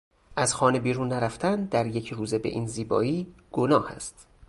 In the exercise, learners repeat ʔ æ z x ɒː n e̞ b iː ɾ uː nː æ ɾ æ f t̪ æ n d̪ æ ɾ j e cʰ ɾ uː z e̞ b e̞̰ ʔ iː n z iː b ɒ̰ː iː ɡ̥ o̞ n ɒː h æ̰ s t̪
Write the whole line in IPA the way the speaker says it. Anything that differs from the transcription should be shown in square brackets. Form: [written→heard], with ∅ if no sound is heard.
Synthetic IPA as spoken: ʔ æ z x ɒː n e̞ b iː ɾ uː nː æ ɾ æ f t̪ æ n d̪ æ ɾ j e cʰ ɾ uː z e̞ b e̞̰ ʔ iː n z iː b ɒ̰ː iː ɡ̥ o̞ n ɒː h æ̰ s t̪